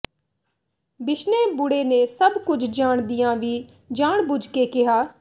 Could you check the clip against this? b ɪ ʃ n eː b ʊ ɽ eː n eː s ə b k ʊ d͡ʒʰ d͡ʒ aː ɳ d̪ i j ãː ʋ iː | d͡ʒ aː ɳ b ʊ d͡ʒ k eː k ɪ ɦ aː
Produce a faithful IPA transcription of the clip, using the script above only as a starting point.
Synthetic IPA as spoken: b ɪ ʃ n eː b ʊ ɽ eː n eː s ə b k ʊ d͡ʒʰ d͡ʒ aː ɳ d̪ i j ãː ʋ iː | d͡ʒ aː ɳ b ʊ d͡ʒ k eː k ɪ ɦ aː

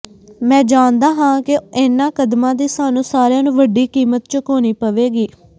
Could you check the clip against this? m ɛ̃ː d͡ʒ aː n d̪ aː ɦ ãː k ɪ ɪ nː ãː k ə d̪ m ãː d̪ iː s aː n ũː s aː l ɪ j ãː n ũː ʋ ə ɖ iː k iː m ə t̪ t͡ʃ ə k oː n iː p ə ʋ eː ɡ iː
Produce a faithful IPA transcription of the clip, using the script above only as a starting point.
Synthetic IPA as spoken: m ɛ̃ː d͡ʒ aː n d̪ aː ɦ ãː k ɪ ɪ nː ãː k ə d̪ m ãː d̪ iː s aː n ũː s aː ɾ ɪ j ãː n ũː ʋ ə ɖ iː k iː m ə t̪ t͡ʃ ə k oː n iː p ə ʋ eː ɡ iː

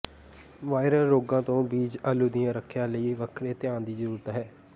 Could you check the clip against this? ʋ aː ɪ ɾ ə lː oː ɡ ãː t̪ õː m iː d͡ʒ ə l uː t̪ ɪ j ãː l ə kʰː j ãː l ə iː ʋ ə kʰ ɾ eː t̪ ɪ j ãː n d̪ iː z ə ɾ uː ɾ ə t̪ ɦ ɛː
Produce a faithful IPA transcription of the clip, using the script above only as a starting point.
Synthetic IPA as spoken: ʋ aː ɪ ɾ ə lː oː ɡ ãː t̪ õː b iː d͡ʒ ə l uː d̪ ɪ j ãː ɾ ə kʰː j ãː l ə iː ʋ ə kʰ ɾ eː t̪ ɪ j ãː n d̪ iː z ə ɾ uː ɾ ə t̪ ɦ ɛː

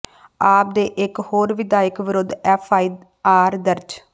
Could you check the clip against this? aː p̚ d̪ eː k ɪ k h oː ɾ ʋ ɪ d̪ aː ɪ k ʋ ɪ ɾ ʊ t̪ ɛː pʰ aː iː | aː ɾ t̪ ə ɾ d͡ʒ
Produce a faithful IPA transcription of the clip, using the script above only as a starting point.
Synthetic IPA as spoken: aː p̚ d̪ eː ʔ ɪ k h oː ɾ ʋ ɪ d̪ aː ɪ k ʋ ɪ ɾ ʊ d̪ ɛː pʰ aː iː | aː ɾ d̪ ə ɾ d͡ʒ

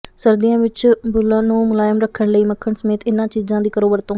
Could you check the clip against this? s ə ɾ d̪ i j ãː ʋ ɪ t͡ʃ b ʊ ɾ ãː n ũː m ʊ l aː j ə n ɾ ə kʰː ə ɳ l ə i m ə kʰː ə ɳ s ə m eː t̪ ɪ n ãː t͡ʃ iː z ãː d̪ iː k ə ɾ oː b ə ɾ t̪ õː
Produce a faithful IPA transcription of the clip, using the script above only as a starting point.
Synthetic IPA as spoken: s ə ɾ d̪ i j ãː ʋ ɪ t͡ʃ b ʊ l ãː n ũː m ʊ l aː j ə m ɾ ə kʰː ə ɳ l ə iː m ə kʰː ə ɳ s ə m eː t̪ ɪ n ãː t͡ʃ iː z ãː d̪ iː k ə ɾ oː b ə ɾ t̪ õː

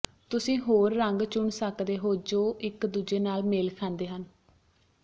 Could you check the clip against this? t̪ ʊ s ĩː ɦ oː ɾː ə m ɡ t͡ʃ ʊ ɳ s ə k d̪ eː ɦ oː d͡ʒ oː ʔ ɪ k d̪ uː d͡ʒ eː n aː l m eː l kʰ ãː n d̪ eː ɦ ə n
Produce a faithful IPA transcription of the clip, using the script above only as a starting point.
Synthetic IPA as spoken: t̪ ʊ s ĩː ɦ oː ɾː ə ŋ ɡ t͡ʃ ʊ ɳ s ə k d̪ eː ɦ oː d͡ʒ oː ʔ ɪ k d̪ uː d͡ʒ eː n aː l m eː l kʰ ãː n d̪ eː ɦ ə n

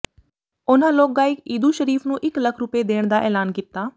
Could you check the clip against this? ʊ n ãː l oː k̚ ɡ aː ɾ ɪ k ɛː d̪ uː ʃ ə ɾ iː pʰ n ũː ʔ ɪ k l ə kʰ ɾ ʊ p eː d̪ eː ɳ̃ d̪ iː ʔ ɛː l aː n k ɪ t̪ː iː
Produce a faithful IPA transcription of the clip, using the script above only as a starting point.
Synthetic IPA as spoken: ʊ n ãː l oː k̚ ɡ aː ɪ k iː d̪ uː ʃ ə ɾ iː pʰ n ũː ʔ ɪ k l ə kʰ ɾ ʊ p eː d̪ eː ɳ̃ d̪ aː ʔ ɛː l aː n k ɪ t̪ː aː

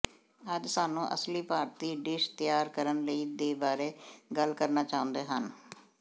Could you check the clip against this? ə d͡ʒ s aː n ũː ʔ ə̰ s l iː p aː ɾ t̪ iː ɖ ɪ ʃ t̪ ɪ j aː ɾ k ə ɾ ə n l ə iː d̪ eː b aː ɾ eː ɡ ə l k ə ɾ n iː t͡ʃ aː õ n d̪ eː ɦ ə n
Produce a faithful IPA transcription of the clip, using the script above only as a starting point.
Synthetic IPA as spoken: ə d͡ʒ s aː n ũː ʔ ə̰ s l iː p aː ɾ t̪ iː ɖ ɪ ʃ t̪ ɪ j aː ɾ k ə ɾ ə n l ə iː d̪ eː b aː ɾ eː ɡ ə l k ə ɾ n aː t͡ʃ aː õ n d̪ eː ɦ ə n

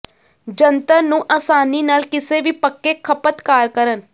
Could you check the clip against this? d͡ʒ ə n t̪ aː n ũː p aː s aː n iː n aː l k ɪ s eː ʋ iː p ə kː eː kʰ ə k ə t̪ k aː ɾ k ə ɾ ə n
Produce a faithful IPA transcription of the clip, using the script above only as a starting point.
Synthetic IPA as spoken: d͡ʒ ə n t̪ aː n ũː ʔ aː s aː n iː n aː l k ɪ s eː ʋ iː p ə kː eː kʰ ə p ə t̪ k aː ɾ k ə ɾ ə n

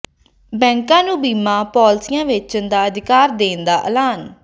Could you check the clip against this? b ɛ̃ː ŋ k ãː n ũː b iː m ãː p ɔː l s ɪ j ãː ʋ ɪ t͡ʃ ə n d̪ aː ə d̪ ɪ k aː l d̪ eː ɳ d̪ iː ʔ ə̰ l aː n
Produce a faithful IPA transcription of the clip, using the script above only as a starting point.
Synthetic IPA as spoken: b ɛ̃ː ŋ k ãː n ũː b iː m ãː p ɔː l s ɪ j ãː ʋ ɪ t͡ʃ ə n d̪ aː ə d̪ ɪ k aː ɾ d̪ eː n d̪ aː ʔ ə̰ l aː n

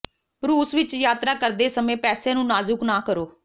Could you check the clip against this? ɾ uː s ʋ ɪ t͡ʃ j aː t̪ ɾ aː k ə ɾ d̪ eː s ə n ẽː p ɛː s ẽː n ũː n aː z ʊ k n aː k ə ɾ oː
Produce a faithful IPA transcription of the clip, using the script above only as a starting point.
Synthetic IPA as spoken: ɾ uː s ʋ ɪ t͡ʃ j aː t̪ ɾ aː k ə ɾ d̪ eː s ə m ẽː p ɛː s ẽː n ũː n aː z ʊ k n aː k ə ɾ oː

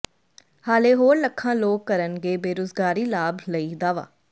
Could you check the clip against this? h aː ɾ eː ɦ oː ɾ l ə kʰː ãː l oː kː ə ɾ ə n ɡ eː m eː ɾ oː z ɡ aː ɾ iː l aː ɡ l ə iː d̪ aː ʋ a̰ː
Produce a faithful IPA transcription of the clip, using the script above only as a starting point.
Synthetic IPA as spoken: h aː l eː ɦ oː ɾ l ə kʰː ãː l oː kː ə ɾ ə n ɡ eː b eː ɾ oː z ɡ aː ɾ iː l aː b l ə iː d̪ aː ʋ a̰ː

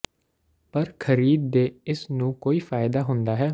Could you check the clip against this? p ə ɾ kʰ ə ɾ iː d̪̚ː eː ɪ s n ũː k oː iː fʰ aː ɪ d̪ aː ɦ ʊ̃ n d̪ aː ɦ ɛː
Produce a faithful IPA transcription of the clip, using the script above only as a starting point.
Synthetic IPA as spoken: p ə ɾ kʰ ə ɾ iː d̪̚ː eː ɪ s n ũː k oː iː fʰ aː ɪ d̪ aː ɦ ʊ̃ n d̪ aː ɦ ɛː

